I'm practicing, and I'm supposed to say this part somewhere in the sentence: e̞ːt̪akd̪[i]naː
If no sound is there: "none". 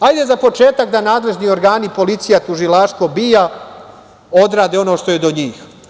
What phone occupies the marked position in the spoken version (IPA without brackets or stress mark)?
a